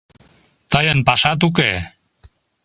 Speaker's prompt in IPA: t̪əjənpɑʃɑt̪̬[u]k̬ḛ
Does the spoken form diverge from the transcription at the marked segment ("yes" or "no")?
no